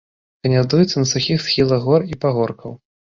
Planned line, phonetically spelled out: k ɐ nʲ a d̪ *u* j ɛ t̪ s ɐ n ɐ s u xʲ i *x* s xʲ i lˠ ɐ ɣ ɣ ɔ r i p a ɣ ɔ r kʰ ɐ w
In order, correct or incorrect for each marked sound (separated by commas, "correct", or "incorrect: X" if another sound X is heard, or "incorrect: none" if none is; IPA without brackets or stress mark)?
correct, correct